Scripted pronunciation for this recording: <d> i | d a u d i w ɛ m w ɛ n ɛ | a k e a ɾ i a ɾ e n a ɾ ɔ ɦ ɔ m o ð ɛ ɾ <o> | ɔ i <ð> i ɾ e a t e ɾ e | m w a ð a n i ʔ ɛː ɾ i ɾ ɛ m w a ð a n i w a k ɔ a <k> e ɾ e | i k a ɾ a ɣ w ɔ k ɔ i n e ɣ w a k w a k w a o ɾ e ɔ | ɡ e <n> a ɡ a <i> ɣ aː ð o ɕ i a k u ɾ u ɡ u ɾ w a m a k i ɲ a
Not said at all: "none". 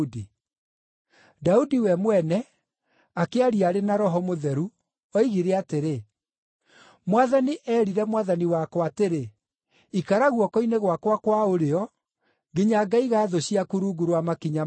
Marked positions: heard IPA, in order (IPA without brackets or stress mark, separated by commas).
d, u, ɣ, t, ɲ, i